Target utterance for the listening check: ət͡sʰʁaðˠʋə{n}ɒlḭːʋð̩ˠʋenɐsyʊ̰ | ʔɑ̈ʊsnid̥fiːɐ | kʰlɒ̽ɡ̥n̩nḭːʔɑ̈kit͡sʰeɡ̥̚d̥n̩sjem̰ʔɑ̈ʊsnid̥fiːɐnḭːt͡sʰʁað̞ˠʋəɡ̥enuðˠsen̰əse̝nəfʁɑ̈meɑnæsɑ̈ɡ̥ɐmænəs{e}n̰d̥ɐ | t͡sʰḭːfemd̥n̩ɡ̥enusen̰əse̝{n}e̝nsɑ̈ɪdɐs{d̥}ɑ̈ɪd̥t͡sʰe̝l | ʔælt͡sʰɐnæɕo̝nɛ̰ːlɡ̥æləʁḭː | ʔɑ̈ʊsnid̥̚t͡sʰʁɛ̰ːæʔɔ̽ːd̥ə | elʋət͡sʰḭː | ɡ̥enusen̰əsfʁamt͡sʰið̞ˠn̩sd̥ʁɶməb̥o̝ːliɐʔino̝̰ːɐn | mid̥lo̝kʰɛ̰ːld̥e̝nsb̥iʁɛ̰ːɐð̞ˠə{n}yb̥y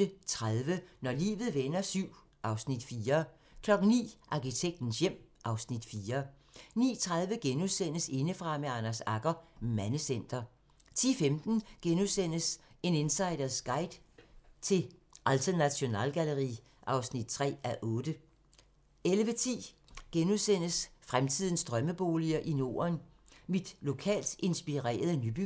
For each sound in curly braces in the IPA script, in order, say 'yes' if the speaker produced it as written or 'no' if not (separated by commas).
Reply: yes, yes, yes, no, yes